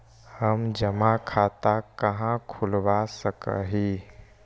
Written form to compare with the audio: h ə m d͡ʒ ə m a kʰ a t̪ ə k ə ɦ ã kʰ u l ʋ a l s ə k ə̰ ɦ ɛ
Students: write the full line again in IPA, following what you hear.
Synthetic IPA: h ə m d͡ʒ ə m a kʰ a t̪ a k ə ɦ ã kʰ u l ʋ a s ə k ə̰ ɦ i